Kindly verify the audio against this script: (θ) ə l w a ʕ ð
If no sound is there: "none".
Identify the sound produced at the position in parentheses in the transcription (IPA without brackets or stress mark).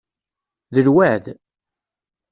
ð